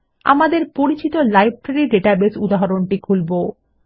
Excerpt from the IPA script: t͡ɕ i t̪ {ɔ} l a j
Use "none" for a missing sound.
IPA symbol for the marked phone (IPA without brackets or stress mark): o